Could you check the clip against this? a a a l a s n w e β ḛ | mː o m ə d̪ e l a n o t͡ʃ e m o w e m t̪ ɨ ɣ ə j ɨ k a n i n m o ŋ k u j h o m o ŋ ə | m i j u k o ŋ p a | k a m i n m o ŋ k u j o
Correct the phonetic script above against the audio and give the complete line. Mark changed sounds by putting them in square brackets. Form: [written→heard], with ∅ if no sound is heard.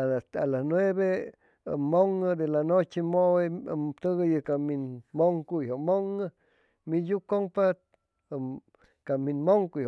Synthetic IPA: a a a l a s n w e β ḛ | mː o [m→ŋ] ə d̪ e l a n o t͡ʃ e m o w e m t̪ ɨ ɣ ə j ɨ k a [n→m] i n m o ŋ k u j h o m o ŋ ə | m i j u k o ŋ p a | k a m i n m o ŋ k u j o